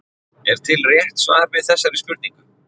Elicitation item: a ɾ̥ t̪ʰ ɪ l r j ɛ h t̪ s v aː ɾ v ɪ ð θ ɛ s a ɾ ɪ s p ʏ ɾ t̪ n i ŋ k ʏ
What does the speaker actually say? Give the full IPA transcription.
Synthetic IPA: ɛ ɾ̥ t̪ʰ ɪ l r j ɛ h t̪ s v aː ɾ v ɪ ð θ ɛ sː a ɾ ɪ s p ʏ ɾ t̪ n i ŋ k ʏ

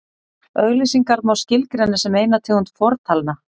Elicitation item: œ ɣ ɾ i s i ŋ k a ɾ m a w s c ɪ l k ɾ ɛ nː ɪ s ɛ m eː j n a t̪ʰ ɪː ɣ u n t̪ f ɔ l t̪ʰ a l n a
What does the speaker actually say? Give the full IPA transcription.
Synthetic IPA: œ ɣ l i s i ŋ k a ɾ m a w s c ɪ l k ɾ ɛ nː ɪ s ɛ m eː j n a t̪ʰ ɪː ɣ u n t̪ f ɔ ɾ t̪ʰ a l n a

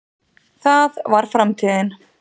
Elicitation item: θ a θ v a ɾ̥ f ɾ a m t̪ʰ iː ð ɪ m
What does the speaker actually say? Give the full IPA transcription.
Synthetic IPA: θ a ð v a ɾ̥ f ɾ a m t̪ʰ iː ð ɪ n

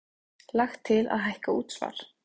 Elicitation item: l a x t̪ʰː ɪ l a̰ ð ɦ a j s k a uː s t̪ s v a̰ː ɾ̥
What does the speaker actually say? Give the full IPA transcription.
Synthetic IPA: l a x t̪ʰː ɪ l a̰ ð ɦ a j h k a uː t̪ s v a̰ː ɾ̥

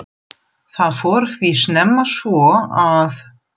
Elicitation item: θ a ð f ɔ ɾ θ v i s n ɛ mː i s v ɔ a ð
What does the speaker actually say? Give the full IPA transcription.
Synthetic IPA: θ a ð f ɔ ɾ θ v i s n ɛ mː a s v ɔ a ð

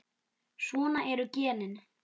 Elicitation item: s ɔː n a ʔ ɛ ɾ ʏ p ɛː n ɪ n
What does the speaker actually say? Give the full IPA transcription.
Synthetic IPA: s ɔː n a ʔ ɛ ɾ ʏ c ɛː n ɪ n

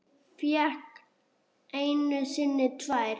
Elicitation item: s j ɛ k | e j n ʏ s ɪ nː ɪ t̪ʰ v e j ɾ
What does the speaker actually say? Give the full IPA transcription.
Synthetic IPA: f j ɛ k | e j n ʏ s ɪ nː ɪ t̪ʰ v a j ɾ

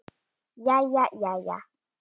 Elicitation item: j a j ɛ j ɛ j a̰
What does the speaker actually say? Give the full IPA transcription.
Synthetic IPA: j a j a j a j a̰

